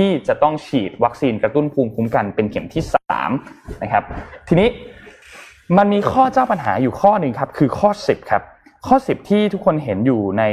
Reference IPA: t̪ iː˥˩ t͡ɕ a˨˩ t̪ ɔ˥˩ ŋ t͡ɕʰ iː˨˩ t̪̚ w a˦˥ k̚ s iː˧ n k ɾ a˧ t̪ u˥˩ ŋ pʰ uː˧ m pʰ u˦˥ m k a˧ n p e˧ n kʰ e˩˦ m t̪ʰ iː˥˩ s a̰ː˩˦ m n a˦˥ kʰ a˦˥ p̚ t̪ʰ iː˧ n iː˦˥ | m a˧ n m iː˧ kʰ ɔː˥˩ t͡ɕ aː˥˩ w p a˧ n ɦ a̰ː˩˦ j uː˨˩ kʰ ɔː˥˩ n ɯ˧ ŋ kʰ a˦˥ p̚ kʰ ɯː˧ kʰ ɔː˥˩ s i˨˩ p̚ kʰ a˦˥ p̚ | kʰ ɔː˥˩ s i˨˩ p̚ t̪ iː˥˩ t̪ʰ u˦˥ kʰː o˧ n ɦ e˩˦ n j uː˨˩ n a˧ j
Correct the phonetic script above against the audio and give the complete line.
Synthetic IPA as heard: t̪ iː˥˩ t͡ɕ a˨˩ t̪ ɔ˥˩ ŋ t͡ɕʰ iː˨˩ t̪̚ w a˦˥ k̚ s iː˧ n k ɾ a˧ t̪ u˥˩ n pʰ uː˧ m pʰ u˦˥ m k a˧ n p e˧ n kʰ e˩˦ m t̪ʰ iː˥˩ s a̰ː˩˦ m n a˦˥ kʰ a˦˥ p̚ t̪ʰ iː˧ n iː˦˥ | m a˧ n m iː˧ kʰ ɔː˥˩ t͡ɕ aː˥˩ w p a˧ n ɦ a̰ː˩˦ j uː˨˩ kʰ ɔː˥˩ n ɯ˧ ŋ kʰ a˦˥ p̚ kʰ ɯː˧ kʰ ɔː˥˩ s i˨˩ p̚ kʰ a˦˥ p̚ | kʰ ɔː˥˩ s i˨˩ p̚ t̪ʰ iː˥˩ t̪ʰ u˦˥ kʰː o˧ n ɦ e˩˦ n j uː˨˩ n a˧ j